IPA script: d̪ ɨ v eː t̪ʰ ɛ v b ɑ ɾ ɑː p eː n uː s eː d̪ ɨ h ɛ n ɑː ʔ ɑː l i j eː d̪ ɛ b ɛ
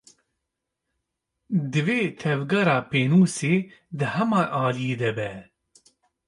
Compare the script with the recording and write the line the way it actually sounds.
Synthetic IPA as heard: d̪ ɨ v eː t̪ʰ ɛ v ɡ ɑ ɾ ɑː p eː n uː s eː d̪ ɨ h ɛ m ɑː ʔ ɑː l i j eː d̪ ɛ b ɛ